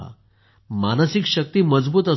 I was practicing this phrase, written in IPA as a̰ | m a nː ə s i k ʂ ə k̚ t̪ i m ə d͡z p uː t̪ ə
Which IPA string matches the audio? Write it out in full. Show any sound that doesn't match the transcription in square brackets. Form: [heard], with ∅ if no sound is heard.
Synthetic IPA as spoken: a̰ | m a [n] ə s i k [ɕ] ə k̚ t̪ [iː] m ə d͡z [b] uː t̪ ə